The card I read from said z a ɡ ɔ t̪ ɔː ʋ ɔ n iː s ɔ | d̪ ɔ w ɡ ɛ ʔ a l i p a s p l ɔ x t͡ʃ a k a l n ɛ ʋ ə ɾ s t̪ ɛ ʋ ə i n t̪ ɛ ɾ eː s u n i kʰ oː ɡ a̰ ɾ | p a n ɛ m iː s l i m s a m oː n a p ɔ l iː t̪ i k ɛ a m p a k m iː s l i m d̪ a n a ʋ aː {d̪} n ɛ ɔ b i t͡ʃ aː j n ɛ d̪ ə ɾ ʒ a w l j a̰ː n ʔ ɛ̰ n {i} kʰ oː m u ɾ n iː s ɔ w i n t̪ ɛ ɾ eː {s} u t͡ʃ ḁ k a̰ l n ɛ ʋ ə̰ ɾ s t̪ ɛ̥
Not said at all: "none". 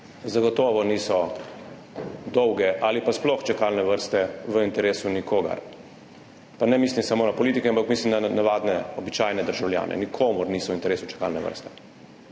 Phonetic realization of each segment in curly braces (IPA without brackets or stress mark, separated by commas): d̪, i, s